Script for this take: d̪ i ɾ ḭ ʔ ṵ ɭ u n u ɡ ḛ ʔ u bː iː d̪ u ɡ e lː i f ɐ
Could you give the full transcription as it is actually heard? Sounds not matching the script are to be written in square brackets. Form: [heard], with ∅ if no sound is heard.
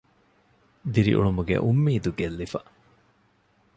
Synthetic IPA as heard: d̪ i ɾ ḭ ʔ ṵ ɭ u [m] u ɡ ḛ ʔ u [mː] iː d̪ u ɡ e lː i f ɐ